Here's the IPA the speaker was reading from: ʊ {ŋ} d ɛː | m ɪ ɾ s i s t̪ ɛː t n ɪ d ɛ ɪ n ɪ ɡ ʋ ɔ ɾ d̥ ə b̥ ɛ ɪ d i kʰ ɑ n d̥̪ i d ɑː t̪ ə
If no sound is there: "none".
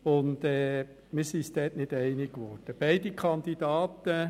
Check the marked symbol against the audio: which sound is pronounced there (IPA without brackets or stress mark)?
n